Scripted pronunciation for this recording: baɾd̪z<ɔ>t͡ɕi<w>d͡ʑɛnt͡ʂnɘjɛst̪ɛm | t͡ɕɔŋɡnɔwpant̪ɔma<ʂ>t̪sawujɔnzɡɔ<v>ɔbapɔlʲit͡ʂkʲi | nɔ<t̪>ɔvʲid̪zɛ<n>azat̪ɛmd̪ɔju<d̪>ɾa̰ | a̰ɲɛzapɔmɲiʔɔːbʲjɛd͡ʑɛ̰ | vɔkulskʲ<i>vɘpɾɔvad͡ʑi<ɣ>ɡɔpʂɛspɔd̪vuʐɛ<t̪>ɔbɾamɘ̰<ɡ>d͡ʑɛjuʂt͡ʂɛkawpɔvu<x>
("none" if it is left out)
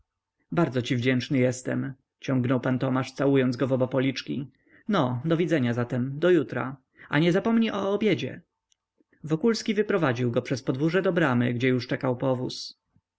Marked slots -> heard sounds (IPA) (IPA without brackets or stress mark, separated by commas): ɔ, v, ʂ, v, d̪, ɲ, t̪, i, w, d̪, ɡ, s